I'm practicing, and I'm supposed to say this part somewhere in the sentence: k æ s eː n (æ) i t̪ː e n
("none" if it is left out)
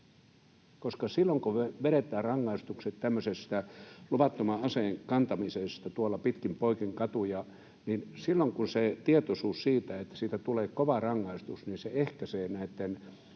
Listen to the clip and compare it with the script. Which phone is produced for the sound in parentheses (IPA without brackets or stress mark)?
æ